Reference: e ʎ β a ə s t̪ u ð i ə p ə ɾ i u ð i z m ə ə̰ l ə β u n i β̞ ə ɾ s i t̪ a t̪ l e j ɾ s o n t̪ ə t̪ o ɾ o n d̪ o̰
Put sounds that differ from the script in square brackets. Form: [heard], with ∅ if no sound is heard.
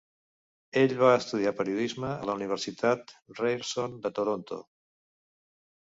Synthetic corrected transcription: e ʎ β a ə s t̪ u ð i [a] p ə ɾ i u ð i z m ə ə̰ l ə [∅] u n i β̞ ə ɾ s i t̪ a t̪ [r] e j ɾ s o n [d̪] ə t̪ o ɾ o n [t̪] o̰